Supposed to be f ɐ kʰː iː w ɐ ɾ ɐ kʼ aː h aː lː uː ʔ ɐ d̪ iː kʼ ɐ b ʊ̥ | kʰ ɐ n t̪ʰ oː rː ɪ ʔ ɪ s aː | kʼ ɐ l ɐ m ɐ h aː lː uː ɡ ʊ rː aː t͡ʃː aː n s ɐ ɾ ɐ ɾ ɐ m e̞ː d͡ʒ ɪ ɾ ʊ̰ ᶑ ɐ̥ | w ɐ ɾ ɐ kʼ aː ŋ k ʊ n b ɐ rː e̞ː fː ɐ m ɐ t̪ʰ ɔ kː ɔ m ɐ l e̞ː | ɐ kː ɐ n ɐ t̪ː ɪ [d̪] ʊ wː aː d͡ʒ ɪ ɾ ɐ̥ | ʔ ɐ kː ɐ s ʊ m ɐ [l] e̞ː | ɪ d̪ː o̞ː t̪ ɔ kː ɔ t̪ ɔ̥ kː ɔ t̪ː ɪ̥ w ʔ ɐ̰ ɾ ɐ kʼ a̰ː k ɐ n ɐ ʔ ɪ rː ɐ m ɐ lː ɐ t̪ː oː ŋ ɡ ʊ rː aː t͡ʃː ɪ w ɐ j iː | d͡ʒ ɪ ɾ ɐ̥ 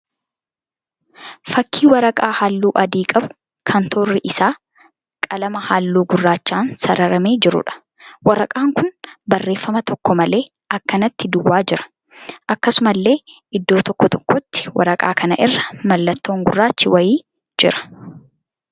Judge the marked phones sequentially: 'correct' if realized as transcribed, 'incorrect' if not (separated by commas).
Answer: correct, incorrect